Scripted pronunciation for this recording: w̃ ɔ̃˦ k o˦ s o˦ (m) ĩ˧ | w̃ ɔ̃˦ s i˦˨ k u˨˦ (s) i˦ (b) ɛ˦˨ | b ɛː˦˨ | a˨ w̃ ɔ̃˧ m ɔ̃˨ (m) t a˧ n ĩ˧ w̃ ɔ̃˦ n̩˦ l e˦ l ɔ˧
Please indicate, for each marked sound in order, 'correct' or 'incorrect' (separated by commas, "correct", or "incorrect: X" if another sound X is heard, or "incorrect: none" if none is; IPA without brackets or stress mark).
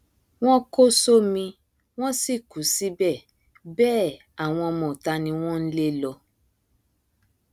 correct, correct, correct, incorrect: none